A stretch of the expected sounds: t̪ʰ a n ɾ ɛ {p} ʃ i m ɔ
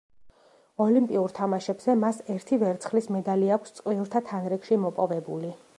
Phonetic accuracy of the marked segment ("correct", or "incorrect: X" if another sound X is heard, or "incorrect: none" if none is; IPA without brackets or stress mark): incorrect: k